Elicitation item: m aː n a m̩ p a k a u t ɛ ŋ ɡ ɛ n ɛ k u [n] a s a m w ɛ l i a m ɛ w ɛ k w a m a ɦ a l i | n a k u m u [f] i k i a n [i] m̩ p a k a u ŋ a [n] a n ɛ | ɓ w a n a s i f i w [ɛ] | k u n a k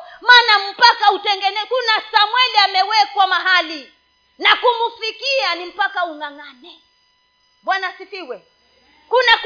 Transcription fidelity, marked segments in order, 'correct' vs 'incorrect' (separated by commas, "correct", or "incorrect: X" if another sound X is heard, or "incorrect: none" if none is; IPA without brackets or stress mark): correct, correct, correct, incorrect: ŋ, correct